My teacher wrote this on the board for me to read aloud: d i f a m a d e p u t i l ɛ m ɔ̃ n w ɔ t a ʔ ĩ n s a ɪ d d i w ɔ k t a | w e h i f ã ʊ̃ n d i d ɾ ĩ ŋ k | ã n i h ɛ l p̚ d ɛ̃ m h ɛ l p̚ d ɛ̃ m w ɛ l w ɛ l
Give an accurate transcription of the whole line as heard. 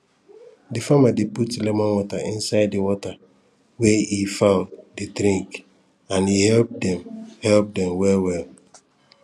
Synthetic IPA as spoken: d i f a m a d e p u t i l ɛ m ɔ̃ n w ɔ t a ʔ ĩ n s a ɪ d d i w ɔ t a | w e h i f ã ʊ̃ n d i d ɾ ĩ ŋ k | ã n i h ɛ l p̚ d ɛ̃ m h ɛ l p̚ d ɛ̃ m w ɛ l w ɛ l